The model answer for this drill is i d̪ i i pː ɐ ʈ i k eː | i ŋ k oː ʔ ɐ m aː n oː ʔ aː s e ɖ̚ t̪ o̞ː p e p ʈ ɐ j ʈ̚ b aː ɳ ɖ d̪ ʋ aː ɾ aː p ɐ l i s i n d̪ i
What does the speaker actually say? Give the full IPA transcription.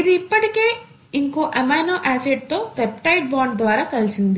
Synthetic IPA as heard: i d̪ i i pː ɐ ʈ i k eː | i ŋ k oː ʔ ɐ m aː n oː ʔ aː s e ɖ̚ t̪ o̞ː p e p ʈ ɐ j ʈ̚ b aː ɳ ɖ d̪ ʋ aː ɾ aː k ɐ l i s i n d̪ i